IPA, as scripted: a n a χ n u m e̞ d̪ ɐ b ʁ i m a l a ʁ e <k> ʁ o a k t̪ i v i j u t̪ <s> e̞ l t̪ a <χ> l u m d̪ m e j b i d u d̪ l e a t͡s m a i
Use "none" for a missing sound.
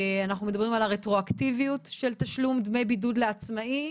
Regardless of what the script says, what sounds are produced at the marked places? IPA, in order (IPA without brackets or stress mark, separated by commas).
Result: t, ʃ, ʃ